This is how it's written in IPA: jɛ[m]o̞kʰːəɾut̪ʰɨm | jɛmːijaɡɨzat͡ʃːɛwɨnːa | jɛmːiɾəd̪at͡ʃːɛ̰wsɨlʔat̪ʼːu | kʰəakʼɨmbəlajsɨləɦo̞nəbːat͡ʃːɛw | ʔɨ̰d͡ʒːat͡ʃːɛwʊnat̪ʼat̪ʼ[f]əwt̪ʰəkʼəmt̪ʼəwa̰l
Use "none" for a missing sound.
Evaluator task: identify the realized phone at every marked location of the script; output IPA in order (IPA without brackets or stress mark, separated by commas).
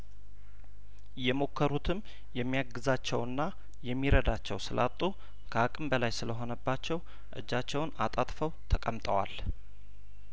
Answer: m, f